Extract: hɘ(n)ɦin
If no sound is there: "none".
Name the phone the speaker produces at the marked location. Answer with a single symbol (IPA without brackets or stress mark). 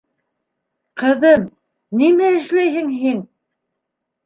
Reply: ŋ